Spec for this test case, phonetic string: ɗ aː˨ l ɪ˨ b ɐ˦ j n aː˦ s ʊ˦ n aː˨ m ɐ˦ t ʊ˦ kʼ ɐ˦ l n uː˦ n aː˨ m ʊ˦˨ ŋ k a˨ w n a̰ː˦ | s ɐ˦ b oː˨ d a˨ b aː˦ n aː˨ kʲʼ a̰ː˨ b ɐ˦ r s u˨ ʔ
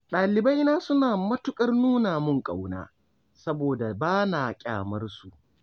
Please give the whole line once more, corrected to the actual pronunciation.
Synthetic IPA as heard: ɗ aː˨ l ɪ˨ b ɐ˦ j n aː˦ s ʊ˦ n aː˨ m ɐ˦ t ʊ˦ kʼ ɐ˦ r n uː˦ n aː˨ m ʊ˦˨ ŋ kʼ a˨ w n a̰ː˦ | s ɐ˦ b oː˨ d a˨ b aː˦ n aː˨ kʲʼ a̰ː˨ m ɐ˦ r s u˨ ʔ